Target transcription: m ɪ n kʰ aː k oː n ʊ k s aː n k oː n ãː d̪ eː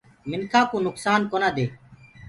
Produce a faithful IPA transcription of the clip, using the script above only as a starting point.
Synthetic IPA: m ɪ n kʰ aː k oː n ʊ k s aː n k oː n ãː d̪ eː